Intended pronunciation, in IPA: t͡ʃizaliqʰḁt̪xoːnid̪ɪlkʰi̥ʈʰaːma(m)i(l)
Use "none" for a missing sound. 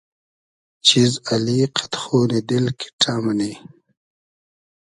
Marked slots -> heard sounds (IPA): n, none

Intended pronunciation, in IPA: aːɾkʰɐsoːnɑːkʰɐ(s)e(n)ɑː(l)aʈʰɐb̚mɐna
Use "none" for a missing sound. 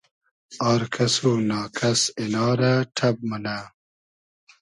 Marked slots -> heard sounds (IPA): s, n, ɾ

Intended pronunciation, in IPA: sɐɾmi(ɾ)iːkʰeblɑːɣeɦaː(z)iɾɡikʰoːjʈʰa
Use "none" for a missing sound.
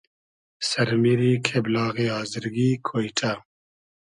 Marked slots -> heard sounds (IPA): ɾ, z

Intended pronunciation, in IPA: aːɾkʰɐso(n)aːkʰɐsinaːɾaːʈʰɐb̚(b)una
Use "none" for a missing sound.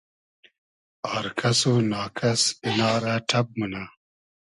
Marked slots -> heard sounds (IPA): n, m

